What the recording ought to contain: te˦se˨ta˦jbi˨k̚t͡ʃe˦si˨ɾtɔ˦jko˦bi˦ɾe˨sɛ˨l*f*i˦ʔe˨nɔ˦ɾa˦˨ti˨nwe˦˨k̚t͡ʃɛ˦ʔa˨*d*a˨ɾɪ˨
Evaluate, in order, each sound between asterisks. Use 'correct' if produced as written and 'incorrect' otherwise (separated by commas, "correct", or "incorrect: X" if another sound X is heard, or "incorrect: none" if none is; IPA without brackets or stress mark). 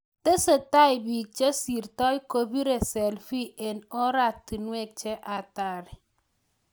correct, incorrect: t